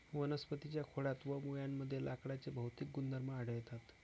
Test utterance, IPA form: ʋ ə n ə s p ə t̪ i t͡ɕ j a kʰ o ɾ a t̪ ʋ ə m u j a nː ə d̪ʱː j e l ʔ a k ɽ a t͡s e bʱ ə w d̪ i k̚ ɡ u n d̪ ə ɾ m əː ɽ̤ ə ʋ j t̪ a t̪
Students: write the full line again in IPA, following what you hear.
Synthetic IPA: ʋ ə n ə s p ə t̪ i t͡ɕ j a kʰ o ɽ a t̪ ʋ ə m u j a mː ə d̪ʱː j e l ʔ a k ɽ a t͡s e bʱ ə w t̪ i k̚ ɡ u n d̪ ə ɾ m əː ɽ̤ ə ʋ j t̪ a t̪

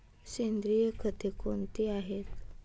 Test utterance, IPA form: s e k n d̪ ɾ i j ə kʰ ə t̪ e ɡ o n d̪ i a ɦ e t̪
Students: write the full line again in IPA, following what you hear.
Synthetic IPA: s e n d̪ ɾ i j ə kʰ ə t̪ e k o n t̪ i a ɦ e t̪

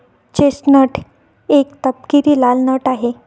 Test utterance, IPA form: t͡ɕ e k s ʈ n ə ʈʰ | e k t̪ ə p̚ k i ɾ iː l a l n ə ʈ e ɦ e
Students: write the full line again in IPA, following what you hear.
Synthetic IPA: t͡ɕ e s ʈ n ə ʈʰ | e k t̪ ə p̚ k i ɾ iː l a l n ə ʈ a ɦ e

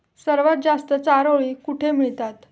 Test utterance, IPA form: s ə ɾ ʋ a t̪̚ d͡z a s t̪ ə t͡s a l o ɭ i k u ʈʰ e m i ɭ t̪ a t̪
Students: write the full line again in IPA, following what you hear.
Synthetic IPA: s ə ɾ ʋ a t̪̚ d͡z a s t̪ ə t͡s a ɾ o ɭ i k u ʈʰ e m i ɭ t̪ a t̪

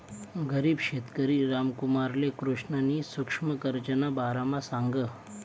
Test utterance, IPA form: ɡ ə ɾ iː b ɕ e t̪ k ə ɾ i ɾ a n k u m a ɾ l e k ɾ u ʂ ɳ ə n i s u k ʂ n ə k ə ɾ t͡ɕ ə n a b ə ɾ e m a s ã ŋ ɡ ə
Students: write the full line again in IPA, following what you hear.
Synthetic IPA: ɡ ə ɾ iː b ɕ e t̪ k ə ɾ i ɾ a m k u m a ɾ l e k ɾ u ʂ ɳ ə n i s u k ʂ m ə k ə ɾ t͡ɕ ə n a b a ɾ a m a s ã ŋ ɡ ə

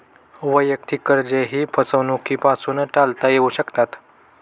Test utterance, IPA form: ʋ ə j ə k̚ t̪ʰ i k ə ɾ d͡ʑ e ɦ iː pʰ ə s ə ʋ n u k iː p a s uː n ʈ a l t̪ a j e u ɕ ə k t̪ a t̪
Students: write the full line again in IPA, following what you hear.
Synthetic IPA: ʋ ə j ə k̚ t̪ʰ i k ə ɾ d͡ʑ e ɦ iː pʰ ə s ə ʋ n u k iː p a s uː n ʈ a l t̪ a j e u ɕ ə k t̪ a t̪

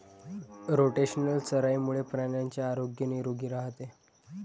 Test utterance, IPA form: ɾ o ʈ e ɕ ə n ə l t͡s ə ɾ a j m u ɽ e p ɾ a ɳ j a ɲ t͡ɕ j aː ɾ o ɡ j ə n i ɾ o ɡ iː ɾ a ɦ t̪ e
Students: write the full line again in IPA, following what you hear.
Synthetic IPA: ɾ o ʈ e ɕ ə n ə l t͡s ə ɾ a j m u ɭ e p ɾ a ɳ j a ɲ t͡ɕ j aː ɾ o ɡ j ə n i ɾ o ɡ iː ɾ a ɦ t̪ e

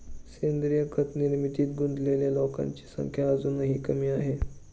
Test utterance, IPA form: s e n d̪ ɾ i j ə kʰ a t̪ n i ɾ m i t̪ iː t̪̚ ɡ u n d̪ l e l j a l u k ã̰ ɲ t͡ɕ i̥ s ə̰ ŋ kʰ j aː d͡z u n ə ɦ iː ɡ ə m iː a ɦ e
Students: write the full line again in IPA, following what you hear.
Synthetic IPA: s e n d̪ ɾ i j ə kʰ ə t̪ n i ɾ m i t̪ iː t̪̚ ɡ u n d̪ l e l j a l o k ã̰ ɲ t͡ɕ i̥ s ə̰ ŋ kʰ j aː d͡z u n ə ɦ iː k ə m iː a ɦ e

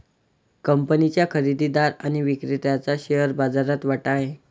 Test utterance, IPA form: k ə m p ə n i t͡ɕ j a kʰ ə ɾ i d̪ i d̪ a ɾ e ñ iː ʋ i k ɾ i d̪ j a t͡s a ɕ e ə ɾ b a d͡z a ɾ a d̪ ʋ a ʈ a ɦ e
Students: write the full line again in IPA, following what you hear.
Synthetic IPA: k ə m p ə n i t͡ɕ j a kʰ ə ɾ i d̪ i d̪ a ɾ a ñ i ʋ i k ɾ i t̪ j a t͡s a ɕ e ə ɾ b a d͡z a ɾ a t̪ ʋ a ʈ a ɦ e

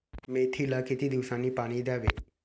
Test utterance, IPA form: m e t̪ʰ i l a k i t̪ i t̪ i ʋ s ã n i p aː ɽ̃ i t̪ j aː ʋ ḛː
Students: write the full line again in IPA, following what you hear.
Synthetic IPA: m e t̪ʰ i l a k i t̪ i d̪ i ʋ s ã n i p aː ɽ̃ i d̪ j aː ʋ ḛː

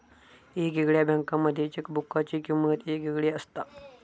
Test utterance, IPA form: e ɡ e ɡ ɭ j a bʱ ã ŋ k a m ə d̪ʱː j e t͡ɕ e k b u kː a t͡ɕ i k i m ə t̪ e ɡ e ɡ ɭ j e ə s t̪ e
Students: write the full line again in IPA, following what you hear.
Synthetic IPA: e ɡ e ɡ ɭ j a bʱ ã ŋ k a m ə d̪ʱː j e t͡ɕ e k b u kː a t͡ɕ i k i m ə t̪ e ɡ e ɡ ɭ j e ə s t̪ a

